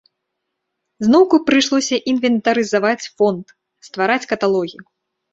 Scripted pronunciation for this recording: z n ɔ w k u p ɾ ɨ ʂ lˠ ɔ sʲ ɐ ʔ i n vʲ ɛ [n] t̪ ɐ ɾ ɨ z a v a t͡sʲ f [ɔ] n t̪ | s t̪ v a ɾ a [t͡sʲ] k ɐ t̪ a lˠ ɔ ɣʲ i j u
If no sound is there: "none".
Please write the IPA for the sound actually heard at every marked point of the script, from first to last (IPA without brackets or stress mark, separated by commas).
n, ɔ, t͡sʲ